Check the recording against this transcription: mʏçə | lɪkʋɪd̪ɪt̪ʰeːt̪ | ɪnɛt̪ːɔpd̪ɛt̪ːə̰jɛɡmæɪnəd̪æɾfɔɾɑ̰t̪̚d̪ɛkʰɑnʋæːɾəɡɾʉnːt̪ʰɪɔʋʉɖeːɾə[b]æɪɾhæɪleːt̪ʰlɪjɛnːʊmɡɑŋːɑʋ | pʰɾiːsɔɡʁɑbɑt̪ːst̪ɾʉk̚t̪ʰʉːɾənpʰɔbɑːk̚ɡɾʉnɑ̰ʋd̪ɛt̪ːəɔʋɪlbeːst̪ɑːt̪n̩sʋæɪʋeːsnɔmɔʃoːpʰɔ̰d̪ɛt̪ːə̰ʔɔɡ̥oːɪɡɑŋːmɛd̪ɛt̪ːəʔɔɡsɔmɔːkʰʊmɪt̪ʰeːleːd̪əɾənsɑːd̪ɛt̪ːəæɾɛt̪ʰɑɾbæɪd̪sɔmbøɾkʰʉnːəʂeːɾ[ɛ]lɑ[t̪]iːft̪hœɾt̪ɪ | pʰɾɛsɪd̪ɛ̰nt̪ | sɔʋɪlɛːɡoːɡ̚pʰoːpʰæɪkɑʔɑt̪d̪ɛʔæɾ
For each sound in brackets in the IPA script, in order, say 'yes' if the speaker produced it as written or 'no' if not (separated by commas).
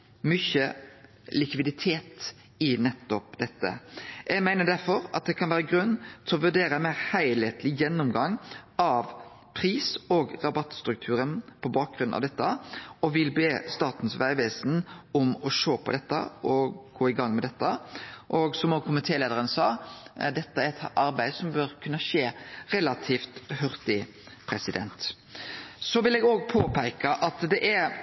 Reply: no, yes, no